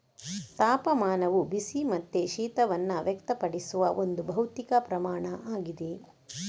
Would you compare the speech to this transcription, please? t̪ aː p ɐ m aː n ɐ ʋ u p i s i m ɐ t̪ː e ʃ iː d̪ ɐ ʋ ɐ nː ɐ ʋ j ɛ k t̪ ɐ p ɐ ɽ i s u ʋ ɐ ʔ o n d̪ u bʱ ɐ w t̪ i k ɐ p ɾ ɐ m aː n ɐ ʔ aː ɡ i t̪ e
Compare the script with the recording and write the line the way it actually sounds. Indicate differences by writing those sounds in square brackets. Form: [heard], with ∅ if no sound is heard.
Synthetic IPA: t̪ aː p ɐ m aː n ɐ ʋ u [b] i s i m ɐ t̪ː e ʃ iː [t̪] ɐ ʋ ɐ nː ɐ ʋ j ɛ k t̪ ɐ p ɐ ɽ i s u ʋ ɐ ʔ o n d̪ u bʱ ɐ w t̪ i k ɐ p ɾ ɐ m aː [ɳ] ɐ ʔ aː ɡ i [d̪] e